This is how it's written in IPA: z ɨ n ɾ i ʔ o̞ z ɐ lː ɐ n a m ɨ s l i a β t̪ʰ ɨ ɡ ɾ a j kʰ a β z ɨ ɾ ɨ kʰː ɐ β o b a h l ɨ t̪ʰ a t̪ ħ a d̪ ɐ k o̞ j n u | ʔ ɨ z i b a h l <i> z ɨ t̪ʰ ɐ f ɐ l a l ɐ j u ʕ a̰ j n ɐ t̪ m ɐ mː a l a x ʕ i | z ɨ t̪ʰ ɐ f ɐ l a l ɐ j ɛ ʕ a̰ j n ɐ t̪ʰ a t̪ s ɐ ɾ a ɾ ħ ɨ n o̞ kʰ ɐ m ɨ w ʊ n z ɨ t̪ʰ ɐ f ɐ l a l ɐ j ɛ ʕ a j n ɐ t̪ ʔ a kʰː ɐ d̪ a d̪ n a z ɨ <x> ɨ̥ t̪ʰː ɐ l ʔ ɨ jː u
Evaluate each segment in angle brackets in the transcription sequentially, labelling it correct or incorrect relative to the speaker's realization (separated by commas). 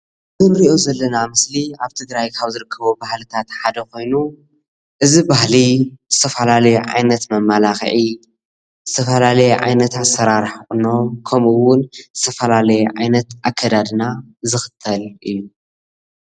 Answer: correct, correct